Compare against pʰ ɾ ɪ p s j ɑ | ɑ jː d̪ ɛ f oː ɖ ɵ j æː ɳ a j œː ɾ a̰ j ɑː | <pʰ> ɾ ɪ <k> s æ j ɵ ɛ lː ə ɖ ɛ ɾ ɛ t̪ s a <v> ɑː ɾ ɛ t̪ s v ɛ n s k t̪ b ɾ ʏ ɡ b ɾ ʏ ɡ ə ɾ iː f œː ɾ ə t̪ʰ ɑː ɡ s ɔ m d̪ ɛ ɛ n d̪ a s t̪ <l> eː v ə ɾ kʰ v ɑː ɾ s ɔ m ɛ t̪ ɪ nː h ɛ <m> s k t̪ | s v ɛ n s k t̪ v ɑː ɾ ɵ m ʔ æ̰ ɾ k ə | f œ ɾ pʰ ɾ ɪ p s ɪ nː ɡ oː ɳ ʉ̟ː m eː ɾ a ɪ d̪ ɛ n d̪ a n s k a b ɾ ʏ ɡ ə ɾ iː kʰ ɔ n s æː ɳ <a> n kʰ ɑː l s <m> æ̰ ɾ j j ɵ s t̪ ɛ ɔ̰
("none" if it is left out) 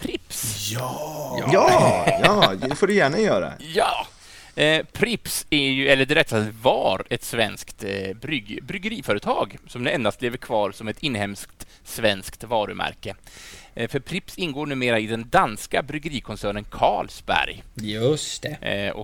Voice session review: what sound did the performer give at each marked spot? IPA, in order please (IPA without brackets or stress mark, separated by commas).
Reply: pʰ, p, v, l, m, ə, b